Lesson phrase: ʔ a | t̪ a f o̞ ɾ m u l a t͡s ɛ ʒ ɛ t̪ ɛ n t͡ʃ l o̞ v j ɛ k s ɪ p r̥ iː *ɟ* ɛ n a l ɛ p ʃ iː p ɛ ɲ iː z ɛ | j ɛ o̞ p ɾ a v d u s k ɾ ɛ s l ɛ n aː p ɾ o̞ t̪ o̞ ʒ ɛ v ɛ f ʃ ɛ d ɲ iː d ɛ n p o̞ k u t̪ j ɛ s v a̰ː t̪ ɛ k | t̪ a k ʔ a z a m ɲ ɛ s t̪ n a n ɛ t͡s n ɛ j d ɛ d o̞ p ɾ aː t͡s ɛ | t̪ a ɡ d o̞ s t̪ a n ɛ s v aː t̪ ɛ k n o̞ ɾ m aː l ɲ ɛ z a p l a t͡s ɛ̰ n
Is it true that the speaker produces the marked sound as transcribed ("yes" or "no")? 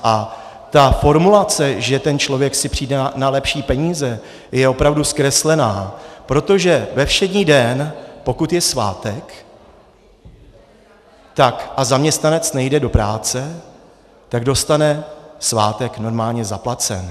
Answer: no